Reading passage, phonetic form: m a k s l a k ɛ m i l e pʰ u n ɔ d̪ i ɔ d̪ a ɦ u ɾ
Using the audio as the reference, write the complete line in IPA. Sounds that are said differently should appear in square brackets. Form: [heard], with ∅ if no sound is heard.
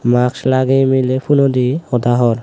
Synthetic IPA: m a k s l a [ɡ] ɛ m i l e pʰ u n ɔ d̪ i ɔ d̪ a ɦ [ɔ] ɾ

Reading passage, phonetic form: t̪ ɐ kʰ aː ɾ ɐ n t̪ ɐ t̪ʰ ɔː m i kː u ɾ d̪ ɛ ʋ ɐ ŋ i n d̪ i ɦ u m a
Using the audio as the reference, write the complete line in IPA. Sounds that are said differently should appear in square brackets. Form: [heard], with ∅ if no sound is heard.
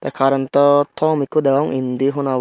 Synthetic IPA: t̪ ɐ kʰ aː ɾ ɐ n t̪ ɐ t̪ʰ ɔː m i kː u [∅] d̪ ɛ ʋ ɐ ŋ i n d̪ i ɦ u [n] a

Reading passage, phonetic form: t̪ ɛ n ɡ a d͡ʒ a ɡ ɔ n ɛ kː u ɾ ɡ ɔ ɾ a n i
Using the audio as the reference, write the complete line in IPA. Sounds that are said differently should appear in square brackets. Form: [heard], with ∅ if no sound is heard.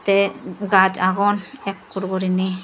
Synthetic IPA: t̪ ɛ [∅] ɡ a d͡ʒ a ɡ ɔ n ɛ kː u ɾ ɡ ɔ ɾ [i] n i

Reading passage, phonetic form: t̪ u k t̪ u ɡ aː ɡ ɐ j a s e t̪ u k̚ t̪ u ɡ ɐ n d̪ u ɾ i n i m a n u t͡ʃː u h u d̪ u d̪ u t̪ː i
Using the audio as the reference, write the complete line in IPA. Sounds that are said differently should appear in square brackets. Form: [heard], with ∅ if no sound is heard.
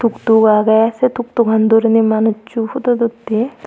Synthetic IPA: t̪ u k t̪ u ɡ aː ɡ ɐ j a s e t̪ u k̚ t̪ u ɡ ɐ n d̪ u ɾ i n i m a n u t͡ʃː u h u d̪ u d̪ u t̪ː i

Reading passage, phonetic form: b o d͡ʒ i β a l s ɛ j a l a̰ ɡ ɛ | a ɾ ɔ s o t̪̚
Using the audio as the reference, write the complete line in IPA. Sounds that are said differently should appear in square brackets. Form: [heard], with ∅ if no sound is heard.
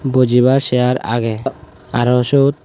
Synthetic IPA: b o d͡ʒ i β a [ɾ] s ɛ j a [ɾ] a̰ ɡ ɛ | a ɾ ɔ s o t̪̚

